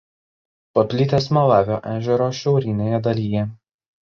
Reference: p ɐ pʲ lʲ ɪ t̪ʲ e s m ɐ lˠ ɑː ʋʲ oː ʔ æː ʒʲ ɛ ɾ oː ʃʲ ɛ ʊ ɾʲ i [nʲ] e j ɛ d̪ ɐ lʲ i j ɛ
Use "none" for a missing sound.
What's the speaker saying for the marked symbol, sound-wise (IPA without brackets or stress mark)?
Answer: nʲ